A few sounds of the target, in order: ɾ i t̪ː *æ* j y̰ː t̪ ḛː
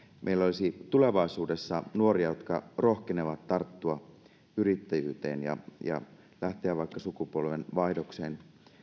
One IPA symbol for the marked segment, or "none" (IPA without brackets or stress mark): æ